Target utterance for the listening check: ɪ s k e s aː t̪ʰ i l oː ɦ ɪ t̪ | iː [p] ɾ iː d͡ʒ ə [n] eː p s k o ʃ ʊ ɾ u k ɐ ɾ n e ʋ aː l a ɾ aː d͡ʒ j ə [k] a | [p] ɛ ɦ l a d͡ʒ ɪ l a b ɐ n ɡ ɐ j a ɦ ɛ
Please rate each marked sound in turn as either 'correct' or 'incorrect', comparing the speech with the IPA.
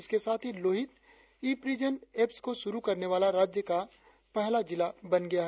correct, correct, correct, correct

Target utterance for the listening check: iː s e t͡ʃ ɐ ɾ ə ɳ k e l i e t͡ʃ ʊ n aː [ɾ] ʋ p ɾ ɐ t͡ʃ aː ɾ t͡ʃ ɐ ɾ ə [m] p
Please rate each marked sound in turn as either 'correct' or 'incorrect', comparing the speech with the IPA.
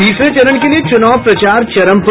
incorrect, correct

